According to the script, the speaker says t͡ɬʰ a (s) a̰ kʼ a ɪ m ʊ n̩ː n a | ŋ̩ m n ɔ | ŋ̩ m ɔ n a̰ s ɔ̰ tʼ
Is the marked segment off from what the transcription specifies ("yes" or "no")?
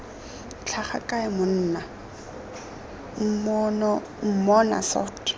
yes